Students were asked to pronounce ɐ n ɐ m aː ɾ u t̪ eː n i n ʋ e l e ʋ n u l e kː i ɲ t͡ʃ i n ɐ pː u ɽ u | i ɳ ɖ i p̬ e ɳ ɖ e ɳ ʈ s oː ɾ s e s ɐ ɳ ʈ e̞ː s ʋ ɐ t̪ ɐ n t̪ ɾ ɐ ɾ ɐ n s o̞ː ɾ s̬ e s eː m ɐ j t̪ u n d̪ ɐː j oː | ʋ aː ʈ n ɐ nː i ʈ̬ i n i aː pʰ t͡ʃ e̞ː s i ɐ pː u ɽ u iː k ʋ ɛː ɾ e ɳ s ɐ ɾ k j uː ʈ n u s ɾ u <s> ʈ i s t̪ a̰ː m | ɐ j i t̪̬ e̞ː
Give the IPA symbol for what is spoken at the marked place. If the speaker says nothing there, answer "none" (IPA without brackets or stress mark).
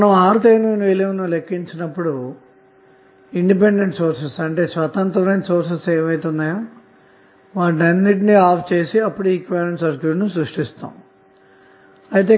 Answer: ʂ